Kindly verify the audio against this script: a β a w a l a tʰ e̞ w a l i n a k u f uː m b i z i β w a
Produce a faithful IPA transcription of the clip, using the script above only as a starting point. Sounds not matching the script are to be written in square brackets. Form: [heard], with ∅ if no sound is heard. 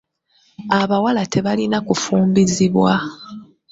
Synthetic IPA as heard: a β a w a l a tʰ e̞ [β] a l i n a k u f uː m b i z i β w a